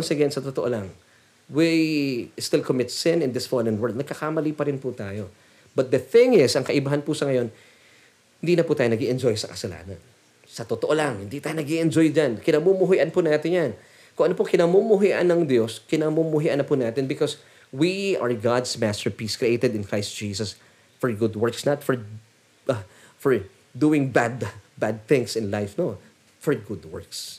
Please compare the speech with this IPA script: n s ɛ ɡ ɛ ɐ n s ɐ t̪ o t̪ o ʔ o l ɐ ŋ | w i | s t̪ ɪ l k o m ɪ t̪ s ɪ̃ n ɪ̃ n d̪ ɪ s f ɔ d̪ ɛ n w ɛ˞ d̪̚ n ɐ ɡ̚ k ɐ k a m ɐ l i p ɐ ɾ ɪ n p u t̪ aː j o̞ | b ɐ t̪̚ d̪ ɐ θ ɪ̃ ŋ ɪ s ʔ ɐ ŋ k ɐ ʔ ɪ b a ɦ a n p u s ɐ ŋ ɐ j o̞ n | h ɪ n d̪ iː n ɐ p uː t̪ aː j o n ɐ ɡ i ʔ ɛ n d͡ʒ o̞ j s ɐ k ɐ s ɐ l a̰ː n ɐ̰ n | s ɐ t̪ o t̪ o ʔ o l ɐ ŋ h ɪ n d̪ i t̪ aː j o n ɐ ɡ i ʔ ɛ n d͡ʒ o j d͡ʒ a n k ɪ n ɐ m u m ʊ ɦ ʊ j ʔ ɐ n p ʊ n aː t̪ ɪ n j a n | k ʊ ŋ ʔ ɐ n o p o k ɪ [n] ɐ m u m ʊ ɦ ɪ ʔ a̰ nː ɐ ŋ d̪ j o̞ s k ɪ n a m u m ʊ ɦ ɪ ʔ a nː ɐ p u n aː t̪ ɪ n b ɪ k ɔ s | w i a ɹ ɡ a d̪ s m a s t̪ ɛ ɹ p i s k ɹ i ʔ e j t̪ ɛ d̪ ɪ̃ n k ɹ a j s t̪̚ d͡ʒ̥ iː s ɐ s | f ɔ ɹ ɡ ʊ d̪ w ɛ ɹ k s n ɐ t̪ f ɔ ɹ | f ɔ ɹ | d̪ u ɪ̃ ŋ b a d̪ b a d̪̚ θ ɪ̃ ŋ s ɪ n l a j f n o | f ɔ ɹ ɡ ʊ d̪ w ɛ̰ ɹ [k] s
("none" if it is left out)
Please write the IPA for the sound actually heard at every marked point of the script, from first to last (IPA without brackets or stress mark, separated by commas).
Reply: n, k